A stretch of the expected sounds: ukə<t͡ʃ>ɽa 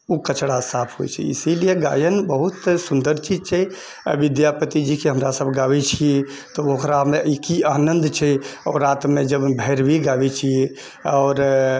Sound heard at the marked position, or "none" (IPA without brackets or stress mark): t͡ʃ